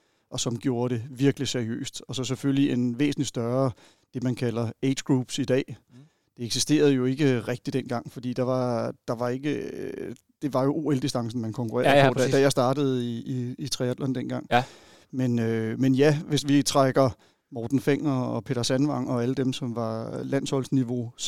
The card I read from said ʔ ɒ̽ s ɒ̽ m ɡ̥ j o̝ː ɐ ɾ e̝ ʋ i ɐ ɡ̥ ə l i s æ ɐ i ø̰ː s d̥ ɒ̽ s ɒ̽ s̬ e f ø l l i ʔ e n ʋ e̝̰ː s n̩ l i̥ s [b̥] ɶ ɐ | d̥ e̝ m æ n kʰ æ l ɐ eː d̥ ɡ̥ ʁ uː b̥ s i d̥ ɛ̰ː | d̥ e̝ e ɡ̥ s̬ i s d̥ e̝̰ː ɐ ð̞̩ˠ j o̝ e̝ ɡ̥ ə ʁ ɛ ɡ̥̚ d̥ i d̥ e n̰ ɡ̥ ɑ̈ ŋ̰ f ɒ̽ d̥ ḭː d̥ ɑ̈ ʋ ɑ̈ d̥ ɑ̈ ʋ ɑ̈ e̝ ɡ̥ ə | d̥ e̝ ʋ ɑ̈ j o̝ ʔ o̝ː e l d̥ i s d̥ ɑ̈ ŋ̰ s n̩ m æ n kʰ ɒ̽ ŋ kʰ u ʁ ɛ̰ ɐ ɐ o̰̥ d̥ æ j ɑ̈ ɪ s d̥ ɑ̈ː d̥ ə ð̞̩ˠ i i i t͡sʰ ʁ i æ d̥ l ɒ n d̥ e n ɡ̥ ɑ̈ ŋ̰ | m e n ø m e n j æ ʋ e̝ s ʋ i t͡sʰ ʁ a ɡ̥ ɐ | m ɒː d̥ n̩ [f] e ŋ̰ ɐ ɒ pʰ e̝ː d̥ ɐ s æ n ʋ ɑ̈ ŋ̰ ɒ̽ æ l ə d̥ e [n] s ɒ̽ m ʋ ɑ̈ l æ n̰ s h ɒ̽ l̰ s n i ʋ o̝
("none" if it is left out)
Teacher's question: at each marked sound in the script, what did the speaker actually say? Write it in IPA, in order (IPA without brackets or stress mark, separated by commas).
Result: d̥, f, m